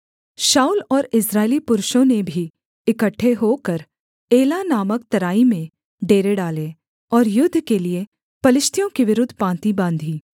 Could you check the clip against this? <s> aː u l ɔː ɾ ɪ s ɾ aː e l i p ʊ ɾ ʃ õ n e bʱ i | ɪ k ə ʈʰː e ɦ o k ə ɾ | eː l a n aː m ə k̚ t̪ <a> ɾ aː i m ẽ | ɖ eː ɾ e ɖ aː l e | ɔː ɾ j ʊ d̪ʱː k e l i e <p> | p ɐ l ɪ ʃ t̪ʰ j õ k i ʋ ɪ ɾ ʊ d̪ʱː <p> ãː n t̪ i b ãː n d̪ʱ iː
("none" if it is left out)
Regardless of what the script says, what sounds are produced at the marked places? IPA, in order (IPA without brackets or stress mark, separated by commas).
ʃ, ɐ, none, p